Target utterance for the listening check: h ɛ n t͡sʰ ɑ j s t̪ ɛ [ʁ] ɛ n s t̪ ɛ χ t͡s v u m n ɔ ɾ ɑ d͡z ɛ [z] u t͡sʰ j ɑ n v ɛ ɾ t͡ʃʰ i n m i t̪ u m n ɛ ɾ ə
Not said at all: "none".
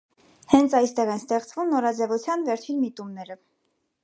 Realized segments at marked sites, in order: ʁ, v

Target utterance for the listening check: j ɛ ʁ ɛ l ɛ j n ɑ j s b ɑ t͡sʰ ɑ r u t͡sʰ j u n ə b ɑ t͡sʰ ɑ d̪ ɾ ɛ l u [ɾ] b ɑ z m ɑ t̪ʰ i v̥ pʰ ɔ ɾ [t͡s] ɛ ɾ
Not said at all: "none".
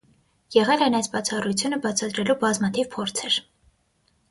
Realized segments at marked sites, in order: none, t͡sʰ

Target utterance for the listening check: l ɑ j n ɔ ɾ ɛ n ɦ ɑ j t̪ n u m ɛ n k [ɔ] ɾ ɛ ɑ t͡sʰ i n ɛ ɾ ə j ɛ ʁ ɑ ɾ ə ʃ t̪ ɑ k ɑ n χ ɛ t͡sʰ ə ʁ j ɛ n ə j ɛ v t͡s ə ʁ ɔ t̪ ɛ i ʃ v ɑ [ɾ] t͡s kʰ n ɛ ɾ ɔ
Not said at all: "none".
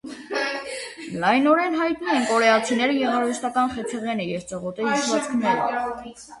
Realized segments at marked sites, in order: ɔ, none

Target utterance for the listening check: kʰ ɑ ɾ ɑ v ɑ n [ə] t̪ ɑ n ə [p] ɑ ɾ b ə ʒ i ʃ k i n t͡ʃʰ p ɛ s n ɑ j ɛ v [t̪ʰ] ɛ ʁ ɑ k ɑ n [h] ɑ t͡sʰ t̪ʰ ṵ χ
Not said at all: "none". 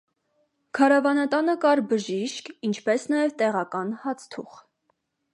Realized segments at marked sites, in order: ɑ, k, t̪, h

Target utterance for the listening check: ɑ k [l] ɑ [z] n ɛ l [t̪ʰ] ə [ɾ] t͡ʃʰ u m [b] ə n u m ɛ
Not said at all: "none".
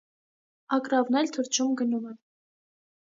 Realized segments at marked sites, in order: ɾ, v, t̪ʰ, ɾ, ɡ

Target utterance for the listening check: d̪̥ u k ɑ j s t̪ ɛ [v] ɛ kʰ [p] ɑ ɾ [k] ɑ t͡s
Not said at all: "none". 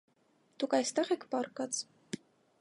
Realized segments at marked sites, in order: ʁ, p, k

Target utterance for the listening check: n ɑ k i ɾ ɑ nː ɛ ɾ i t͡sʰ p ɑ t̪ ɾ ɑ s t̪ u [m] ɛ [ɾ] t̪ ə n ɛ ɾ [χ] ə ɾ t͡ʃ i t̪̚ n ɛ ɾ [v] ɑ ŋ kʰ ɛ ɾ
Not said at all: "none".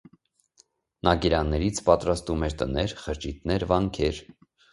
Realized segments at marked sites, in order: m, ɾ, χ, v

